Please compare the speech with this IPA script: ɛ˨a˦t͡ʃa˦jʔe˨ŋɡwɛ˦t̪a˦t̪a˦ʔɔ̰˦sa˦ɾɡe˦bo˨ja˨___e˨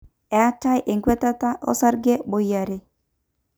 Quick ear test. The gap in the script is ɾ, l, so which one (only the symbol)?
ɾ